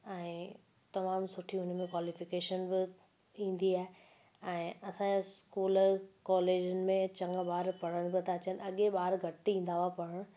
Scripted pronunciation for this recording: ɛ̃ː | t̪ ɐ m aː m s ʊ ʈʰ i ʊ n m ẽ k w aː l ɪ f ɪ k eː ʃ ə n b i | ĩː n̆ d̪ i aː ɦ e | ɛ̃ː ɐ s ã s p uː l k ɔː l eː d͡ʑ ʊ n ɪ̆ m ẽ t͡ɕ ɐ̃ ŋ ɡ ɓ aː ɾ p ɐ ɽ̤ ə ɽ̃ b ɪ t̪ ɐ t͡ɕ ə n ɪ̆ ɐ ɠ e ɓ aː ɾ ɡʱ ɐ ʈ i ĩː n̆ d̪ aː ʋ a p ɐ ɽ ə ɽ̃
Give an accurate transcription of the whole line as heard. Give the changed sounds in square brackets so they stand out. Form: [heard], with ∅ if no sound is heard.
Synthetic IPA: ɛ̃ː | t̪ ɐ m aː m s ʊ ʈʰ i ʊ n m ẽ k w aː l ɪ f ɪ k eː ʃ ə n b [ɪ] | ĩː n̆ d̪ i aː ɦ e | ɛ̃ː ɐ s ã s [k] uː l k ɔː l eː d͡ʑ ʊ n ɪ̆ m ẽ t͡ɕ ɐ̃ ŋ ɡ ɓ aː ɾ p ɐ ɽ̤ ə ɽ̃ b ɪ t̪ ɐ t͡ɕ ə n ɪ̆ ɐ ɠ e ɓ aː ɾ ɡʱ ɐ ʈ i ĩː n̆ d̪ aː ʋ a p ɐ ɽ ə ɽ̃